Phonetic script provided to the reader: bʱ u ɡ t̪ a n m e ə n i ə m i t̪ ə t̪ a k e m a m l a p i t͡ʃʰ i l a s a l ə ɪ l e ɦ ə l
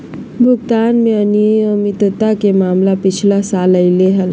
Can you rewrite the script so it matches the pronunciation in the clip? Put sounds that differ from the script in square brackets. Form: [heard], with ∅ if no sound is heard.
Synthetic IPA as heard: bʱ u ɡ t̪ a n m e ə n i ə m i t̪ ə t̪ a k e m a m l a p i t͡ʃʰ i l a s a l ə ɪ l e ɦ ə l